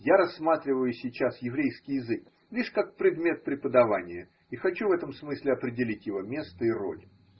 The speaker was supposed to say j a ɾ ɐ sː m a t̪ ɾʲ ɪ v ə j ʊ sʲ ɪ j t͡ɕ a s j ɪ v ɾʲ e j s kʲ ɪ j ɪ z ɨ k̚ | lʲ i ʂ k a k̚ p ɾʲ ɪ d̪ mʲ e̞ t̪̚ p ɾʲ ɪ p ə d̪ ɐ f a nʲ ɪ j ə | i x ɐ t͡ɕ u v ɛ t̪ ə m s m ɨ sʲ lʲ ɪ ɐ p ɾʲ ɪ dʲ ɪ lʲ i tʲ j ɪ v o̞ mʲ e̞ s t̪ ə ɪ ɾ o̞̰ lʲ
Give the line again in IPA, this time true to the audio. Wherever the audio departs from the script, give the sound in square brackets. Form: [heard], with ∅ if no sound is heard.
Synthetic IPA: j a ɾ ɐ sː m a t̪ ɾʲ ɪ v ə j ʊ sʲ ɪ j t͡ɕ a s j ɪ v ɾʲ e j s kʲ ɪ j ɪ z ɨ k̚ | lʲ i ʂ k a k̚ p ɾʲ ɪ d̪ mʲ e̞ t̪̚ p ɾʲ ɪ p ə d̪ ɐ [v] a nʲ ɪ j ə | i x ɐ t͡ɕ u v ɛ t̪ ə m s m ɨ sʲ lʲ ɪ ɐ p ɾʲ ɪ dʲ ɪ lʲ i tʲ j ɪ v o̞ mʲ e̞ s t̪ ə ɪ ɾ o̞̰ lʲ

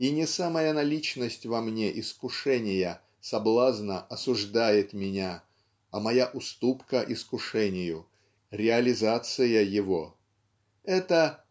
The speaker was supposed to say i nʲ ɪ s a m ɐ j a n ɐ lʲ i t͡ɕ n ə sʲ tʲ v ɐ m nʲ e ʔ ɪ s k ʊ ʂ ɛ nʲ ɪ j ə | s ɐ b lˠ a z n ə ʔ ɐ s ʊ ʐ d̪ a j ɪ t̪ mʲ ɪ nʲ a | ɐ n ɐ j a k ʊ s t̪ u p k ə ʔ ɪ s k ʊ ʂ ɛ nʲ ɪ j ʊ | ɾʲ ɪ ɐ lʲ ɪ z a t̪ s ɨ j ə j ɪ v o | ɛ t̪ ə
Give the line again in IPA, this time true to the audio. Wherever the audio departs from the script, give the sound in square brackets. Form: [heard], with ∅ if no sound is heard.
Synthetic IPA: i nʲ ɪ s a m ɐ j a n ɐ lʲ i t͡ɕ n ə sʲ tʲ v ɐ m nʲ e ʔ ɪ s k ʊ ʂ ɛ nʲ ɪ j ə | s ɐ b lˠ a z n ə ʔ ɐ s ʊ ʐ d̪ a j ɪ t̪ mʲ ɪ nʲ a | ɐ [m] ɐ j a [ʔ] ʊ s t̪ u p k ə ʔ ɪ s k ʊ ʂ ɛ nʲ ɪ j ʊ | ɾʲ ɪ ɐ lʲ ɪ z a t̪ s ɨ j ə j ɪ v o | ɛ t̪ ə

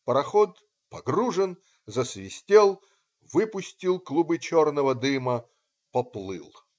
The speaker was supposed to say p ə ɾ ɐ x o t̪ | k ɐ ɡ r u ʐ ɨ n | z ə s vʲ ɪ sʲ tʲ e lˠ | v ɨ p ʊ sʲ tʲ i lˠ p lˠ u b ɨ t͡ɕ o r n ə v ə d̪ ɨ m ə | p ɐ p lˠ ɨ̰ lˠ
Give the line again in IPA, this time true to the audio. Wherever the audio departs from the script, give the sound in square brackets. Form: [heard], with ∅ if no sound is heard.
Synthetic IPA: p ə ɾ ɐ x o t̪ | [p] ɐ ɡ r u ʐ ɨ n | z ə s vʲ ɪ sʲ tʲ e lˠ | v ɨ p ʊ sʲ tʲ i lˠ [k] lˠ u b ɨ t͡ɕ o r n ə v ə d̪ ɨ m ə | p ɐ p lˠ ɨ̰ lˠ

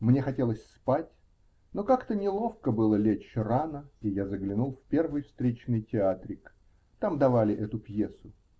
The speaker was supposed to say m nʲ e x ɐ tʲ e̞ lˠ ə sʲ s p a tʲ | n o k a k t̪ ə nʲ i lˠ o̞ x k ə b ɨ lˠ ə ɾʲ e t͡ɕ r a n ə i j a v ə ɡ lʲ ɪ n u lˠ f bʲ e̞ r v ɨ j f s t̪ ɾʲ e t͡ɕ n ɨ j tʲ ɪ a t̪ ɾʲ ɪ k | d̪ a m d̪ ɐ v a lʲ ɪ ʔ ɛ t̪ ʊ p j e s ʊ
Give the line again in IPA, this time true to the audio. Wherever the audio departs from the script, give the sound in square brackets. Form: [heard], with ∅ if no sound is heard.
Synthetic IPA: m nʲ e x ɐ tʲ e̞ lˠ ə sʲ s p a tʲ | n o k a k t̪ ə nʲ [ɪ] lˠ o̞ [f] k ə b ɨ lˠ ə [lʲ] e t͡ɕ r a n ə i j a [z] ə ɡ lʲ ɪ n u lˠ f [pʲ] e̞ r v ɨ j f s t̪ ɾʲ e t͡ɕ n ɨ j tʲ ɪ a t̪ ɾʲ ɪ k | [t̪] a m d̪ ɐ v a lʲ ɪ ʔ ɛ t̪ ʊ p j e s ʊ

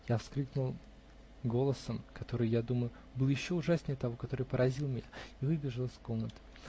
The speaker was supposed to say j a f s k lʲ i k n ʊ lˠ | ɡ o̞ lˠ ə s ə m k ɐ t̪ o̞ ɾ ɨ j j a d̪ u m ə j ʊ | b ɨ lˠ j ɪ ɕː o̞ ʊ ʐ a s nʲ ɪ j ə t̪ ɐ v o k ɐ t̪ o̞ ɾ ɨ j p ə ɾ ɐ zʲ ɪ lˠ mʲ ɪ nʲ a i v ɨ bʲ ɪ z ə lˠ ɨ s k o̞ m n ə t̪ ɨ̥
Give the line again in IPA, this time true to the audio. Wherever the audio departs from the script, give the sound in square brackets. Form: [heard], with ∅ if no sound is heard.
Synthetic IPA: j a f s k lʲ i k n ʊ lˠ | ɡ o̞ lˠ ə s ə m k ɐ t̪ o̞ ɾ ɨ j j a d̪ u m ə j ʊ | b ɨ lˠ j ɪ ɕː o̞ ʊ ʐ a s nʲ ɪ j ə t̪ ɐ v o k ɐ t̪ o̞ ɾ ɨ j p ə ɾ ɐ zʲ [i] lˠ mʲ ɪ nʲ a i v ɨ bʲ ɪ [ʐ] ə lˠ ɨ s k o̞ m n ə t̪ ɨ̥

